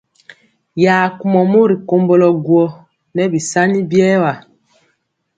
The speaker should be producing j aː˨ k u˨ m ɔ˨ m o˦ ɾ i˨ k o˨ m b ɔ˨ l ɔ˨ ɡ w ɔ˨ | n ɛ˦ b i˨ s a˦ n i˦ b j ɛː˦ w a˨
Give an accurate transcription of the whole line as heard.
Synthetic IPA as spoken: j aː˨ k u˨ m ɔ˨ m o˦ ɾ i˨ k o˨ m b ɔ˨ l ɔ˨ ɡ w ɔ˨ | n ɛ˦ b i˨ s a˦ n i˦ b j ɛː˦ w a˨